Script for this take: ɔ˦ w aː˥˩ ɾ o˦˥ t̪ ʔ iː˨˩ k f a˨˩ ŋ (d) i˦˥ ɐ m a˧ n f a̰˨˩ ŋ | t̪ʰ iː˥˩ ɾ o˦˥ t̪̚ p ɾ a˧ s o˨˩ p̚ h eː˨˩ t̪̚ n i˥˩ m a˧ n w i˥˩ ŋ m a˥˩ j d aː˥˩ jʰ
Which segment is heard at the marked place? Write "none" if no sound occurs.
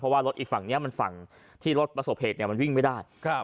n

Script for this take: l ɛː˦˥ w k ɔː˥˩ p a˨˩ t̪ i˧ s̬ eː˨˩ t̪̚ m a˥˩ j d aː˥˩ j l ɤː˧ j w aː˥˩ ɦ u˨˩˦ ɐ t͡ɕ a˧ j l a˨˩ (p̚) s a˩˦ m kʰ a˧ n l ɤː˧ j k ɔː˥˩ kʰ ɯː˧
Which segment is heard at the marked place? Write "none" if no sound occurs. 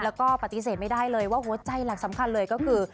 k̚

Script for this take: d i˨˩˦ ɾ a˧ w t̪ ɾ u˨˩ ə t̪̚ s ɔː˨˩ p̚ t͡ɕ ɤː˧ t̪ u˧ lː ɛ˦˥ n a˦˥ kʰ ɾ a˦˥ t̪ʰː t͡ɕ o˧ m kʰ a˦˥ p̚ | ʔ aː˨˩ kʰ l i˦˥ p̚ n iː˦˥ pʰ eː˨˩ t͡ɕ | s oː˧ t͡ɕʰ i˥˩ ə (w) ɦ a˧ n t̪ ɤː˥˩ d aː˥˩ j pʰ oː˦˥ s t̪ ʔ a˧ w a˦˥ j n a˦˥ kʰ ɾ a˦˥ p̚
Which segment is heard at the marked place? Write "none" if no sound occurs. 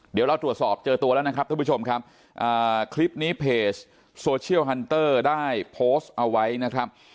w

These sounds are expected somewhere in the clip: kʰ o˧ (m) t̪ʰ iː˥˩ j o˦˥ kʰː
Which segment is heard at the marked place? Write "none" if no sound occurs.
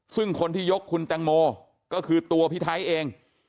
n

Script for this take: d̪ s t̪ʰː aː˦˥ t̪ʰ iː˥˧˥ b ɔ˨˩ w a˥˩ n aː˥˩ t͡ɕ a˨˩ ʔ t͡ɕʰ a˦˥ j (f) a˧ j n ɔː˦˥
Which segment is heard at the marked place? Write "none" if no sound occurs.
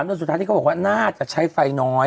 f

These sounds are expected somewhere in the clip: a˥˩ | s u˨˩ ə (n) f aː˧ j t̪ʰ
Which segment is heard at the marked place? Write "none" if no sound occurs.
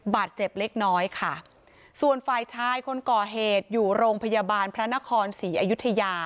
n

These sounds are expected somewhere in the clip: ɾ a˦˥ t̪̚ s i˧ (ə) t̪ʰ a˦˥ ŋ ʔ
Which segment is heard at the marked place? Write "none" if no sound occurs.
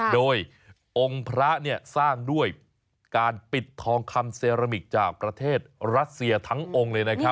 ɐ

